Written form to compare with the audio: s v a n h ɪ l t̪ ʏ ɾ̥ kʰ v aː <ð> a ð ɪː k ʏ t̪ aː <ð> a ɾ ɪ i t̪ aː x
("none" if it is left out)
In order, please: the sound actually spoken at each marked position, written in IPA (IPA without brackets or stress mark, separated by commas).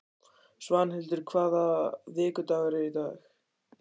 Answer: ð, ɣ